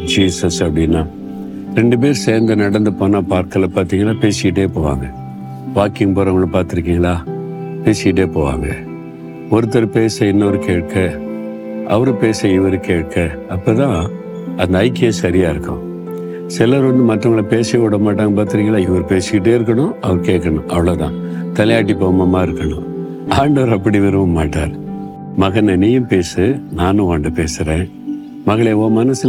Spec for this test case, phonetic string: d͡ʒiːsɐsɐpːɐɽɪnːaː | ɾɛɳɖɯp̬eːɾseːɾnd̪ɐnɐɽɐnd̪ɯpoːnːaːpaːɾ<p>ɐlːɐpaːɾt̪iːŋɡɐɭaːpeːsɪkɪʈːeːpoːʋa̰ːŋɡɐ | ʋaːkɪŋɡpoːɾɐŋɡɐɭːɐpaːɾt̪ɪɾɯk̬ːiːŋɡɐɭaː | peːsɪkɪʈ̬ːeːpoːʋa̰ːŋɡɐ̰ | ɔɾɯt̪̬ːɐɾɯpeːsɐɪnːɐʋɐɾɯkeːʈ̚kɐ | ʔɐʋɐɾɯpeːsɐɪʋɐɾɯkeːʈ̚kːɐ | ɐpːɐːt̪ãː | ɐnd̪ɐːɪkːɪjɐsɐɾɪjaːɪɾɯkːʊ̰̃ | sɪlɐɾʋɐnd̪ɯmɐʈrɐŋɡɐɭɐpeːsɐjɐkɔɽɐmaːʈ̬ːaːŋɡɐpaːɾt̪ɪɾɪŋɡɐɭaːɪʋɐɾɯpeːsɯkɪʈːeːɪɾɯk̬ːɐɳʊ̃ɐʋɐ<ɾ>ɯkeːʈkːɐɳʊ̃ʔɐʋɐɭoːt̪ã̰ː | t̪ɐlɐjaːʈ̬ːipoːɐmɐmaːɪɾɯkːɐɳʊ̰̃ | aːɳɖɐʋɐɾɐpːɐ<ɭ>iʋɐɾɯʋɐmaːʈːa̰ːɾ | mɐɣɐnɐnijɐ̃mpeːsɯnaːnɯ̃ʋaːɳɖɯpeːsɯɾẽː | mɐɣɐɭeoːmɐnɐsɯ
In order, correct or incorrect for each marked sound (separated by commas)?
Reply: incorrect, correct, incorrect